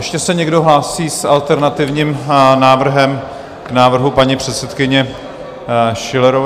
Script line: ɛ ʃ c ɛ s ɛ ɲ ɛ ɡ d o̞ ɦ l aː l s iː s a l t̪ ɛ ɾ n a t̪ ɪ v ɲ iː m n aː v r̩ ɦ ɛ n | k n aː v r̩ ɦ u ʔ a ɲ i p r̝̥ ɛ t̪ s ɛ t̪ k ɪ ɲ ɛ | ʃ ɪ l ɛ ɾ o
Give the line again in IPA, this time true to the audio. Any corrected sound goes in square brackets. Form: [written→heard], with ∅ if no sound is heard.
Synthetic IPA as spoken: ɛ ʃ c ɛ s ɛ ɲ ɛ ɡ d o̞ ɦ l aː [l→∅] s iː s a l t̪ ɛ ɾ n a t̪ ɪ v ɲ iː m n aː v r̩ ɦ ɛ [n→m] | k n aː v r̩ ɦ u [ʔ→p] a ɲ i p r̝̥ ɛ t̪ s ɛ t̪ k ɪ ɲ ɛ | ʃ ɪ l ɛ ɾ o